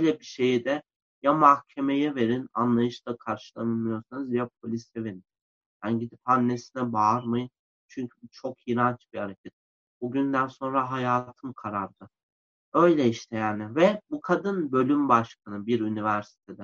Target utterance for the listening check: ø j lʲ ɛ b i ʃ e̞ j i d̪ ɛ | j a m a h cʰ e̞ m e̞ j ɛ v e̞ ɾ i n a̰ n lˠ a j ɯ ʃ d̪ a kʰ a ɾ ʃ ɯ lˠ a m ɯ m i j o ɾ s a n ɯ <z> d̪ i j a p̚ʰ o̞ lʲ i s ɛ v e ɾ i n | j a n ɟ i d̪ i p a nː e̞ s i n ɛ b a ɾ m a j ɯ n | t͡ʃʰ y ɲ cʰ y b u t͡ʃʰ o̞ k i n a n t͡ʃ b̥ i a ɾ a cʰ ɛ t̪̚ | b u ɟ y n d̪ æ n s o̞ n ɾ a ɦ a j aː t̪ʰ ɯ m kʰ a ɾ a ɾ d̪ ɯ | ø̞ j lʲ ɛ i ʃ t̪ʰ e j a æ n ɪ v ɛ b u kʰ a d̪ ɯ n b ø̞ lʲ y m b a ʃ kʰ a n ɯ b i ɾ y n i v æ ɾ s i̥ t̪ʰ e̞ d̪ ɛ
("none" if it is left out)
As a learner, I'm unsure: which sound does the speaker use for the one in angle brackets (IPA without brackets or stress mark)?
z